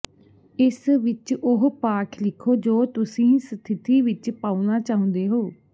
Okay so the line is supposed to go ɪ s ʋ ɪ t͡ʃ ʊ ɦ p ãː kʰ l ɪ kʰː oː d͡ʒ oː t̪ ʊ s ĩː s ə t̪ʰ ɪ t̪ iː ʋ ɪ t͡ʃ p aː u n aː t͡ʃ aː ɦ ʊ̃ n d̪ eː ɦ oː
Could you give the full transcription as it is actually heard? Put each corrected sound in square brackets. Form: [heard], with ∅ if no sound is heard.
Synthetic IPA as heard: ɪ s ʋ ɪ t͡ʃ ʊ ɦ p [aː] kʰ l ɪ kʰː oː d͡ʒ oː t̪ ʊ s ĩː s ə t̪ʰ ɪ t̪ iː ʋ ɪ t͡ʃ p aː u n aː t͡ʃ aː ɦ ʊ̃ n d̪ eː ɦ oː